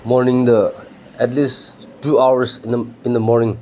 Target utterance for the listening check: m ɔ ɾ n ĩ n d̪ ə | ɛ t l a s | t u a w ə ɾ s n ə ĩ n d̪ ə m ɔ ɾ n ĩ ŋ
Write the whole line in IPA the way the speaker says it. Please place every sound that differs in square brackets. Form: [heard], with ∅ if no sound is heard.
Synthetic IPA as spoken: m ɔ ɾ n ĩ [ŋ] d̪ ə | ɛ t l [i] s | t u a w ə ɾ s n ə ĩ n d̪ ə m ɔ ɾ n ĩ ŋ